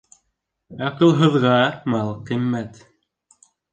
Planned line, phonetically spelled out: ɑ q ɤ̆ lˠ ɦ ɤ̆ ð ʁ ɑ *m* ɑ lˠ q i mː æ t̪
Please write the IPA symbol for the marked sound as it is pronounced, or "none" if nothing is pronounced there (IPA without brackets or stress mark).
m